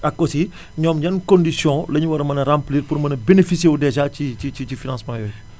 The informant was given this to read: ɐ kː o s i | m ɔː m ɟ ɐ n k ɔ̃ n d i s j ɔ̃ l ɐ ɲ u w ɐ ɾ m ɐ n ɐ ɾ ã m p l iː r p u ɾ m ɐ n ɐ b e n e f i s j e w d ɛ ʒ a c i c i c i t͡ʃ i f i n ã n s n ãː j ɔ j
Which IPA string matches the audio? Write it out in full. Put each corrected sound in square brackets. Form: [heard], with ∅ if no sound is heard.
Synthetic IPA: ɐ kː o s i | [ɲ] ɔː m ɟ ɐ n k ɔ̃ n d i s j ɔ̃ l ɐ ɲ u w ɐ ɾ m ɐ n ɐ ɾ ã m p l iː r p u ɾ m ɐ n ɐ b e n e f i s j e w d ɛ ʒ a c i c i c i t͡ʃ i f i n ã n s [m] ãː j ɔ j